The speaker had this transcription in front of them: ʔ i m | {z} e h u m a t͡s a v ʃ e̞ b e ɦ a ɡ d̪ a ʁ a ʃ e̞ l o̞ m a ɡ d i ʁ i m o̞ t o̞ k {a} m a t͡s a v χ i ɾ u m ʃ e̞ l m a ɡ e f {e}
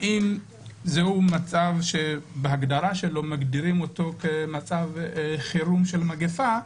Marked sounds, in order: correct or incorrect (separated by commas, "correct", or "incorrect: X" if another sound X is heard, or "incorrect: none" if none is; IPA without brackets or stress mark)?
correct, incorrect: e, incorrect: a